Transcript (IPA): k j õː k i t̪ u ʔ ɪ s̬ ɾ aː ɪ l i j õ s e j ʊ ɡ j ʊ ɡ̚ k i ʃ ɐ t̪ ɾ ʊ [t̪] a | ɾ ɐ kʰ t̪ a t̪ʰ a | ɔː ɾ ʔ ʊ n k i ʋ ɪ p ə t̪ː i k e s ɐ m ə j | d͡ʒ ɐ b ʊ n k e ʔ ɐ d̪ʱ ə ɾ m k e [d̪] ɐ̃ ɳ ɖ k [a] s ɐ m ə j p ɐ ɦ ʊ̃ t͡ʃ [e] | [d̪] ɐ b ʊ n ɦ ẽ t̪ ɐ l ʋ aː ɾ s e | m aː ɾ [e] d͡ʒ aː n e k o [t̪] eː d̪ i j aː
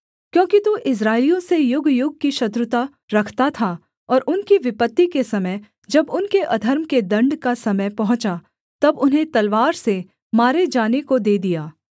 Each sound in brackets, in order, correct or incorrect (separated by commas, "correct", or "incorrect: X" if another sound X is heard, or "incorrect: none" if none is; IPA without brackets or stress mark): correct, correct, correct, incorrect: a, incorrect: t̪, correct, incorrect: d̪